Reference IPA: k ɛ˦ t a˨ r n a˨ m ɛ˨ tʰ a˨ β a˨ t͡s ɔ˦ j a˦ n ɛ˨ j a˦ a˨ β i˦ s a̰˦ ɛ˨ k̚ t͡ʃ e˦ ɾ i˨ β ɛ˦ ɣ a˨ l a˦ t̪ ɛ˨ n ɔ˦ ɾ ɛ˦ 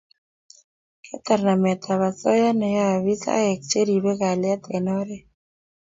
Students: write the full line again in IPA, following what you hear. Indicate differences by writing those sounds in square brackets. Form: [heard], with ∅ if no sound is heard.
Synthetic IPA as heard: k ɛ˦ t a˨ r n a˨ m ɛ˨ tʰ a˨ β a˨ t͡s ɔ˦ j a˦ n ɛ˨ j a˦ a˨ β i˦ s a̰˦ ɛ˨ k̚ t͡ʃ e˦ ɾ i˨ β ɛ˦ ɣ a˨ l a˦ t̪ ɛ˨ n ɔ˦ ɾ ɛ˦